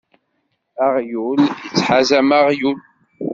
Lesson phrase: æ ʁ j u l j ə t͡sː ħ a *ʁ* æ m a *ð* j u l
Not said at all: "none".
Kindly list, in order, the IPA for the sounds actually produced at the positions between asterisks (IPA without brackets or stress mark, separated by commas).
z, ʁ